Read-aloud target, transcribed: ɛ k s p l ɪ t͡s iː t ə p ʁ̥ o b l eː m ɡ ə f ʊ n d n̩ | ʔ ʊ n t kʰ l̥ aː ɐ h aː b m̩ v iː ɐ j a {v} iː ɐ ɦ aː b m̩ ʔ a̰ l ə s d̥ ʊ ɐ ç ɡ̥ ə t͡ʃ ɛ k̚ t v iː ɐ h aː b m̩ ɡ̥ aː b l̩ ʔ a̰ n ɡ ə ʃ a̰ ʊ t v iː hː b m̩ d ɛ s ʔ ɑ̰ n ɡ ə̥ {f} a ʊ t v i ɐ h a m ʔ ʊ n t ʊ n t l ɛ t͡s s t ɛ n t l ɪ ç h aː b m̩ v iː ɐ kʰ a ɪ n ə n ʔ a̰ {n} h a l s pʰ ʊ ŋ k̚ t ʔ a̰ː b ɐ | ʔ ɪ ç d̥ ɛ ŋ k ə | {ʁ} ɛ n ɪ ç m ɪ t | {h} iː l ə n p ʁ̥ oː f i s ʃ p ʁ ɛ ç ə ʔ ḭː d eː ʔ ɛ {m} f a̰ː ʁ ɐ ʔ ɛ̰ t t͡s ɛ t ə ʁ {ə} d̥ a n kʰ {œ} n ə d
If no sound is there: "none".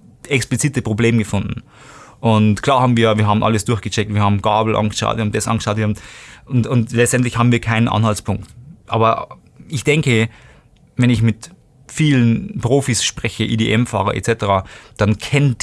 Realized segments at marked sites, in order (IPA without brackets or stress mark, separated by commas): v, ʃ, n, v, f, m, a, ɛ